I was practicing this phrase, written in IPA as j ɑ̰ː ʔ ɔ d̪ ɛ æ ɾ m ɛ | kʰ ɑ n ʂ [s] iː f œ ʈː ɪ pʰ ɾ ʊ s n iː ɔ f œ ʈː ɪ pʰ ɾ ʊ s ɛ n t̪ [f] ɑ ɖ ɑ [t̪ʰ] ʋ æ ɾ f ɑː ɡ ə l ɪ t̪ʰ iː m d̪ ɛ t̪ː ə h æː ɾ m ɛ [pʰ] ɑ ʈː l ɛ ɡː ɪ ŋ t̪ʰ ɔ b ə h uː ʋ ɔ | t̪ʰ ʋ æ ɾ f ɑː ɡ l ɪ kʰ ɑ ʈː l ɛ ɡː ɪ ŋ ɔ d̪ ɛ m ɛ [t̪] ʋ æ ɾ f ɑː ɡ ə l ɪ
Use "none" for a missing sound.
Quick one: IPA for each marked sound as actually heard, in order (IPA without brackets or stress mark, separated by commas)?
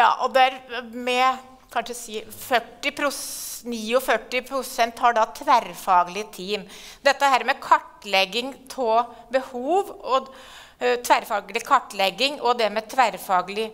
s, h, t̪ʰ, kʰ, t̪ʰ